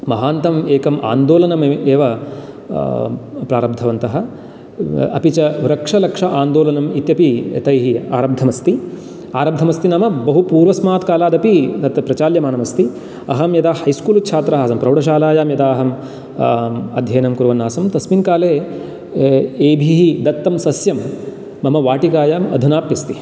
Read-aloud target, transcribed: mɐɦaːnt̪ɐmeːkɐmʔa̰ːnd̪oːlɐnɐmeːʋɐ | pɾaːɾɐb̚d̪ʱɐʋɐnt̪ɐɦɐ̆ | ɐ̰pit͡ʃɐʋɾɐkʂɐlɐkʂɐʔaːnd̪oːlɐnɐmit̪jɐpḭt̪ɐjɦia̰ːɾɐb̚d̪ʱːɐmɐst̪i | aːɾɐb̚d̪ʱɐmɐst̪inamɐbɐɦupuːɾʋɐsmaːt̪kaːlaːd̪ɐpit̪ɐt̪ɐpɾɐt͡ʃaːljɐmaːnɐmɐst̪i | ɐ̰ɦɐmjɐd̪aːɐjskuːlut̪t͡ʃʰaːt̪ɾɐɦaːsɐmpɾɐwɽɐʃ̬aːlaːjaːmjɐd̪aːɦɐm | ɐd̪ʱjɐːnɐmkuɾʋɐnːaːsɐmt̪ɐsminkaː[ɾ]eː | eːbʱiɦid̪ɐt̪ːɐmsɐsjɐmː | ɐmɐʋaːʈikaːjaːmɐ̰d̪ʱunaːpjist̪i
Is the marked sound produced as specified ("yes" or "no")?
no